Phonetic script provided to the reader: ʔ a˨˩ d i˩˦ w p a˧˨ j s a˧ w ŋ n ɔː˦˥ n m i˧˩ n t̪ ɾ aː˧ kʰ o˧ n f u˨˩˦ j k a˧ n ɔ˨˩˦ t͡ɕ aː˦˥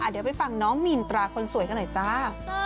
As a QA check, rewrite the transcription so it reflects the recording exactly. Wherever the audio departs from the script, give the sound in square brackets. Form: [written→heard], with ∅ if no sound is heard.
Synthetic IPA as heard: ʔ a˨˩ d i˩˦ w p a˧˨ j [s→f] a˧ [w→∅] ŋ n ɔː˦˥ [n→ŋ] m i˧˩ n t̪ ɾ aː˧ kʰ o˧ n [f→s] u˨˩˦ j k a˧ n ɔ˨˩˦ t͡ɕ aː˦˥